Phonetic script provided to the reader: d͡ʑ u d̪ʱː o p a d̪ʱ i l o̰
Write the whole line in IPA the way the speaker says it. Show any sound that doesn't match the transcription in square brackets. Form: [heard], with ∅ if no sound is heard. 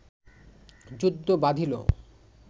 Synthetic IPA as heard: d͡ʑ u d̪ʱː o [b] a d̪ʱ i l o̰